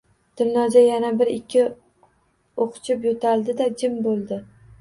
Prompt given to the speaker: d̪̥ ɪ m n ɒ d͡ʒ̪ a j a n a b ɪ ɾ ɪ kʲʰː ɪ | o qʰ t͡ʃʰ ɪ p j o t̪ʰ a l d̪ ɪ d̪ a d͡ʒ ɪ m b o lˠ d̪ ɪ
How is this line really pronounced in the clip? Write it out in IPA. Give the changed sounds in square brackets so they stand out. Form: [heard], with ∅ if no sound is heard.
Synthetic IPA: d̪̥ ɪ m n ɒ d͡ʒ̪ a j a n a b ɪ ɾ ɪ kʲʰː ɪ | o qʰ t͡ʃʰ ɪ p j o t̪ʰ a l d̪ ɪ d̪ a d͡ʒ ɪ m b o lˠ d̪ ɪ